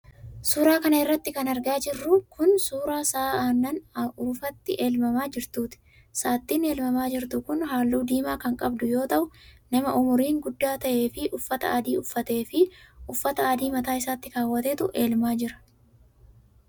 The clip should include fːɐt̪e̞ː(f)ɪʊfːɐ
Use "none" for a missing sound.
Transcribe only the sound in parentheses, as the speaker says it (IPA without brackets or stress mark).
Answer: f